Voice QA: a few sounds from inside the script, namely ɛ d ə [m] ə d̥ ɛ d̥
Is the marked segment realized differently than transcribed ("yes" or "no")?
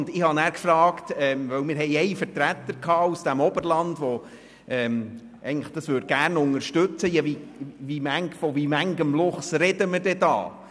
no